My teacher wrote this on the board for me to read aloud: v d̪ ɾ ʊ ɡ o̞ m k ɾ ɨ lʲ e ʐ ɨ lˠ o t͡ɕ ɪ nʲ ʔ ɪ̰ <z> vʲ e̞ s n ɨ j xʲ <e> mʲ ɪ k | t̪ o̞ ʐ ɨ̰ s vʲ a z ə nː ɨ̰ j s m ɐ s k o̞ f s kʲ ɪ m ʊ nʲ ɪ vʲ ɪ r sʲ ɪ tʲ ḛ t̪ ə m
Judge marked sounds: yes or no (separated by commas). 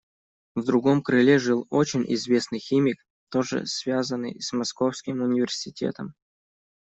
yes, no